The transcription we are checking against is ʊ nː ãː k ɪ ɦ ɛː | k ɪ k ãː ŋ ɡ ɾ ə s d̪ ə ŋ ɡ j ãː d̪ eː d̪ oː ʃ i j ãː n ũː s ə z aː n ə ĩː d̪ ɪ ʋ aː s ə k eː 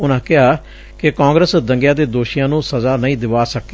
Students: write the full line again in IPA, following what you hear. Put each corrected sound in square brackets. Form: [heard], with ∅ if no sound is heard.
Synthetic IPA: ʊ [n] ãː k ɪ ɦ [aː] | k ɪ k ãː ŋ ɡ ɾ ə s d̪ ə ŋ ɡ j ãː d̪ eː d̪ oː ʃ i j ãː n ũː s ə z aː n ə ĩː d̪ ɪ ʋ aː s ə k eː